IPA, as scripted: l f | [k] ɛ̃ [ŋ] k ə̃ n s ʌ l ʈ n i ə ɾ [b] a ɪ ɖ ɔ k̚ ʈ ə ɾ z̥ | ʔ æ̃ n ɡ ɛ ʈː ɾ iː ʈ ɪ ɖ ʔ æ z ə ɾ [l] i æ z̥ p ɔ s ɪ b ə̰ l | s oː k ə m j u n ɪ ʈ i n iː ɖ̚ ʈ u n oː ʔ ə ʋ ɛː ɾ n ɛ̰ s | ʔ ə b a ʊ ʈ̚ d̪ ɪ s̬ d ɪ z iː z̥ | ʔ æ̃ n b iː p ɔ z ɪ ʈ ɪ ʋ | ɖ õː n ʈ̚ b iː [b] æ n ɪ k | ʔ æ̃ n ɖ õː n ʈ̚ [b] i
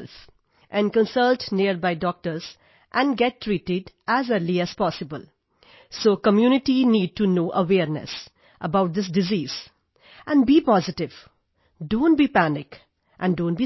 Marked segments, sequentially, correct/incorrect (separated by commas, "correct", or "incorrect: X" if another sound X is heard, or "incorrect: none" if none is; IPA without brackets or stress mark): incorrect: ʔ, incorrect: n, correct, correct, incorrect: p, correct